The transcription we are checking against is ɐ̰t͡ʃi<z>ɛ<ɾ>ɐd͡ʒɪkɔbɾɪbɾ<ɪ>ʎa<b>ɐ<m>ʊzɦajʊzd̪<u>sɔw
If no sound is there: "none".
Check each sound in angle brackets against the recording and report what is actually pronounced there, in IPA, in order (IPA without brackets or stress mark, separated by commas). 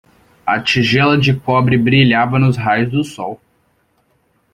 ʒ, l, i, v, n, ʊ